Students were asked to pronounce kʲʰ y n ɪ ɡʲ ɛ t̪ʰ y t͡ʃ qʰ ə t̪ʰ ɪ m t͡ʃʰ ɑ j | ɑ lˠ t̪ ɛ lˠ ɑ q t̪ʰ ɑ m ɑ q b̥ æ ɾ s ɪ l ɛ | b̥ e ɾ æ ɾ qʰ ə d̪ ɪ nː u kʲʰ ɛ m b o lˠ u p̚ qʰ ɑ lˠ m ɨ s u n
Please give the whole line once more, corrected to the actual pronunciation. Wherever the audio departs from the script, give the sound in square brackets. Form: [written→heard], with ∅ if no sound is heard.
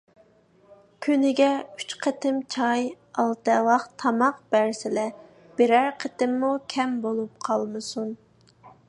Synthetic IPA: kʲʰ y n ɪ ɡʲ ɛ [t̪ʰ→∅] y t͡ʃ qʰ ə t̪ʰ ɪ m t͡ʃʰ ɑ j | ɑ lˠ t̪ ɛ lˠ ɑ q t̪ʰ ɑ m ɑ q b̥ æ ɾ s ɪ l ɛ | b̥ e ɾ æ ɾ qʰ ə [d̪→t̪] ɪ [nː→mː] u kʲʰ ɛ m b o lˠ u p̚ qʰ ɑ lˠ m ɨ s u n